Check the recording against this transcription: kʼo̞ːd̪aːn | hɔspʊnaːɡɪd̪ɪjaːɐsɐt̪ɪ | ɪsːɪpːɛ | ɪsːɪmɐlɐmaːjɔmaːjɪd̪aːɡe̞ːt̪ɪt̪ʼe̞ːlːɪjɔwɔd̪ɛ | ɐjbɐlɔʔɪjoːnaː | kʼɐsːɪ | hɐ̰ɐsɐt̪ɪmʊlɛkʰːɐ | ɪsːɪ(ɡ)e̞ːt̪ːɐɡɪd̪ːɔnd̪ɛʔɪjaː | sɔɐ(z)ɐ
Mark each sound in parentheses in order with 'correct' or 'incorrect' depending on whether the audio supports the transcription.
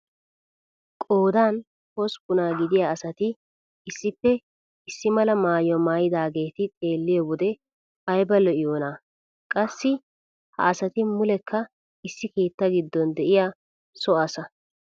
incorrect, incorrect

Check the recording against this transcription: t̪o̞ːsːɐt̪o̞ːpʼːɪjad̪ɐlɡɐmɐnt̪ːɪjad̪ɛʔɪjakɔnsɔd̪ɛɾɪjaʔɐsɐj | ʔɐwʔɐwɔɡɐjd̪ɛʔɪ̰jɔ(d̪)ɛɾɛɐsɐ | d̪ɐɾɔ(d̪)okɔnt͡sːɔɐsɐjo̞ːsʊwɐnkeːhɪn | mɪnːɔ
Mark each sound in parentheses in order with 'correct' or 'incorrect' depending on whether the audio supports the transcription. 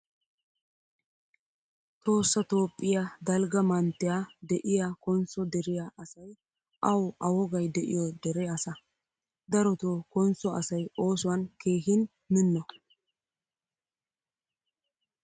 correct, incorrect

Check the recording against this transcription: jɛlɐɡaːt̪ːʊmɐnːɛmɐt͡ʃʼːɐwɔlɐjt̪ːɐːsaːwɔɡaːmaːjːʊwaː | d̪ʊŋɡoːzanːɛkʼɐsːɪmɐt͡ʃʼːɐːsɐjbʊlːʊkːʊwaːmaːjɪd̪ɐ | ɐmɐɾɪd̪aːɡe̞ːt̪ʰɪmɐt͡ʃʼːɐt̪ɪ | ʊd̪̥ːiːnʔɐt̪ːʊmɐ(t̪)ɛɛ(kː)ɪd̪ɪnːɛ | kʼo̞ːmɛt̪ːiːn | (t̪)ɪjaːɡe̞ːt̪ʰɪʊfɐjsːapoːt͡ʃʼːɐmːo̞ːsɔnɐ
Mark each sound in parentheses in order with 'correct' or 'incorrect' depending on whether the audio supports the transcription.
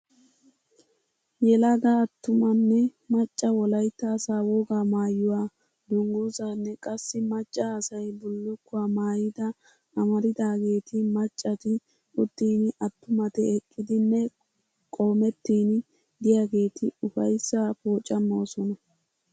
correct, incorrect, incorrect

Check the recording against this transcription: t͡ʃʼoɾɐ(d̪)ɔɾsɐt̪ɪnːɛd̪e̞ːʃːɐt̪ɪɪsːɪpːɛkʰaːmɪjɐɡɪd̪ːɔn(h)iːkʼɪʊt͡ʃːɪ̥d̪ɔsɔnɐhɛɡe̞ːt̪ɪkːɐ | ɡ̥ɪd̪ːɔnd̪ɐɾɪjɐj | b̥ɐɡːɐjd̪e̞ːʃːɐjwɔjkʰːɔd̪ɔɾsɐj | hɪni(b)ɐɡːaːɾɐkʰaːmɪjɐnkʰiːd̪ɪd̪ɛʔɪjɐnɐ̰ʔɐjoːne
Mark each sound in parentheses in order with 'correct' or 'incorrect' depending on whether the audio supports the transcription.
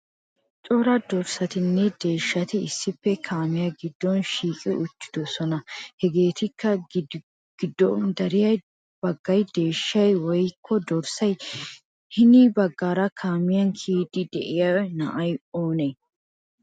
correct, incorrect, correct

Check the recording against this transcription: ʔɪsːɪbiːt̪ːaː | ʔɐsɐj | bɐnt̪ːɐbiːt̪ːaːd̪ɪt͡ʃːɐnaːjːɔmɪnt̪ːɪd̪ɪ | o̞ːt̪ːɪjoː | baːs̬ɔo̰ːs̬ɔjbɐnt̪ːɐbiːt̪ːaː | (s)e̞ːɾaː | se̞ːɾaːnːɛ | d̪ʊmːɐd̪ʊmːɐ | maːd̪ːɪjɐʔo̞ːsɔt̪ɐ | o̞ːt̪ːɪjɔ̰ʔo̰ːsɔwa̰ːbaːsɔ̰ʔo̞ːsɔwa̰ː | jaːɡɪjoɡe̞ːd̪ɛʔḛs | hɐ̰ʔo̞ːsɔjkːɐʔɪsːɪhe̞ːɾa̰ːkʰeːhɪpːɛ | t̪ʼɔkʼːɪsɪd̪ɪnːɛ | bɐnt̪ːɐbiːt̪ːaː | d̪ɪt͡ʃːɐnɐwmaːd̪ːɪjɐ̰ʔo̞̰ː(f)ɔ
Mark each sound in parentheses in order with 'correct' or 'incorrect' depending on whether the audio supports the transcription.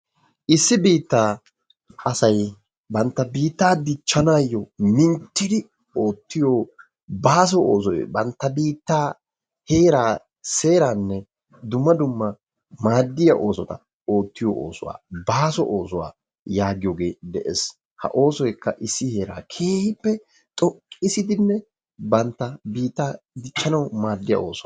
incorrect, incorrect

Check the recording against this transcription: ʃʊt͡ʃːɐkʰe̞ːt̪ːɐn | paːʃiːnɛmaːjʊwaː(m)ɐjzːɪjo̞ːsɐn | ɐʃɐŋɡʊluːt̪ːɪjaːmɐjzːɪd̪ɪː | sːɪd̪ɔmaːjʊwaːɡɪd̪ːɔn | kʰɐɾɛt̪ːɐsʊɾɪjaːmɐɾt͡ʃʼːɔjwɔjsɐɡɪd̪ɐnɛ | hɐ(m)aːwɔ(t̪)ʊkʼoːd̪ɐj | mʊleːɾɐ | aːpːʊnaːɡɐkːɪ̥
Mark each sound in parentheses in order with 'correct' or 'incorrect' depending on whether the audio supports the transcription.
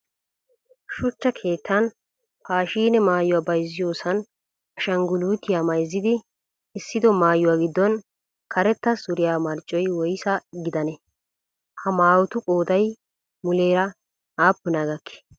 incorrect, correct, correct

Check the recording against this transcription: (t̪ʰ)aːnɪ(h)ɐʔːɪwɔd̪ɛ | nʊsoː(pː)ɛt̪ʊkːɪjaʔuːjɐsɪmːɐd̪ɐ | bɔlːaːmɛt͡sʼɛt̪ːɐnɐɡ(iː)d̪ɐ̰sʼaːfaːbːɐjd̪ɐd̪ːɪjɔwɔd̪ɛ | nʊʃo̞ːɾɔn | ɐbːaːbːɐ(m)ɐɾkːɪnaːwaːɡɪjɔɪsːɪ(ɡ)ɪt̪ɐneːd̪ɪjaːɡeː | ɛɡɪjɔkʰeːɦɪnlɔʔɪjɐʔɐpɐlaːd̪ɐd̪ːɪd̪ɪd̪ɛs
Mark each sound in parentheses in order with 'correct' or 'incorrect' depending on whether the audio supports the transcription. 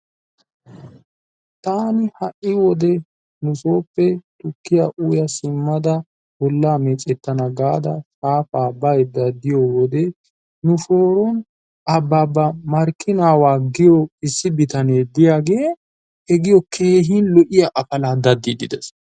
incorrect, correct, correct, incorrect, correct, incorrect

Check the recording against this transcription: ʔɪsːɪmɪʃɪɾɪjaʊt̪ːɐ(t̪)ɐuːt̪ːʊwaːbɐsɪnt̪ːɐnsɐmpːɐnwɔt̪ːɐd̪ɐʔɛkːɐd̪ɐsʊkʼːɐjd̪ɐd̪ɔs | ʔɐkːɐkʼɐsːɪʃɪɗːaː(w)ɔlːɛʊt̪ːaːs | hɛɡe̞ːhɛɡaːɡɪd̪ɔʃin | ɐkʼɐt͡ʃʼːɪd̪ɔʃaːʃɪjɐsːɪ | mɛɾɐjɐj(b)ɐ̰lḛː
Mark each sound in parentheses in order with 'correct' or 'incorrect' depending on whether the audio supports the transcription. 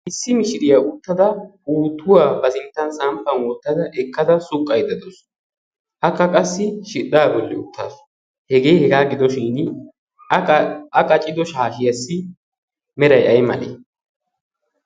incorrect, incorrect, incorrect

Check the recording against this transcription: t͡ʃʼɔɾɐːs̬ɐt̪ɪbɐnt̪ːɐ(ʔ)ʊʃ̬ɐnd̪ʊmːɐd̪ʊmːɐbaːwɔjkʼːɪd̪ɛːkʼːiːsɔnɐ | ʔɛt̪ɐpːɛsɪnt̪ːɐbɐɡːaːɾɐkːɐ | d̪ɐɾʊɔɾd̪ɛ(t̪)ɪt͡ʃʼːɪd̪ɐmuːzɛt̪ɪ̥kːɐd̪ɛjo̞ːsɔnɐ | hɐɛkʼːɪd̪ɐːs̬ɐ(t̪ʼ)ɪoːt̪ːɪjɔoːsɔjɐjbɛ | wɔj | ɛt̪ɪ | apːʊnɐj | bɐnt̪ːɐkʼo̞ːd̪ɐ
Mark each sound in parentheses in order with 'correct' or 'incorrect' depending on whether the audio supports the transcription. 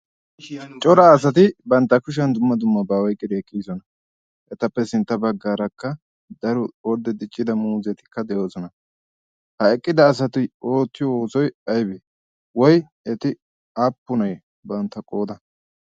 incorrect, incorrect, incorrect

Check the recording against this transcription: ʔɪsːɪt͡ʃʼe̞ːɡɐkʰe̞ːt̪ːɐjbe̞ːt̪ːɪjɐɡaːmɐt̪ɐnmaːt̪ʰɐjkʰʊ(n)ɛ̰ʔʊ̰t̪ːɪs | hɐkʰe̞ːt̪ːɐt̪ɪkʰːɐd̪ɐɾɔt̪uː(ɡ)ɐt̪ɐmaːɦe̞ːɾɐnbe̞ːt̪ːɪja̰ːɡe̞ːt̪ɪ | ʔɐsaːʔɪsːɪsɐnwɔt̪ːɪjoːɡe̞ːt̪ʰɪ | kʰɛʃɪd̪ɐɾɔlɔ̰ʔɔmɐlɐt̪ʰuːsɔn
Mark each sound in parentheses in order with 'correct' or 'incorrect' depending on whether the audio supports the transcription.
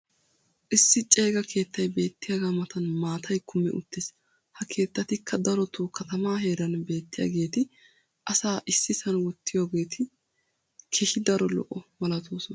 incorrect, incorrect

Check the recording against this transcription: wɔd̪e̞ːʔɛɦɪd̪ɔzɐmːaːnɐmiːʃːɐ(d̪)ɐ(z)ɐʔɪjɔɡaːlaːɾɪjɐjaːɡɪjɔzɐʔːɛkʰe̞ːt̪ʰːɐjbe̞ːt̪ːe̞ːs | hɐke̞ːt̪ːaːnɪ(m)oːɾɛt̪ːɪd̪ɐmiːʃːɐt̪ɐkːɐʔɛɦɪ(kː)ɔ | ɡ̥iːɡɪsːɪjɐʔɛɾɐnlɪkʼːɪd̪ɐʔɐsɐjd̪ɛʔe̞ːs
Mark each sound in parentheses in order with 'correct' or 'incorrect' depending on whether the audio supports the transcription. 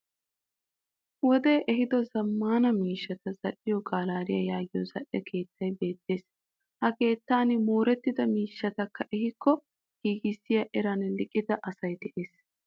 incorrect, correct, correct, correct

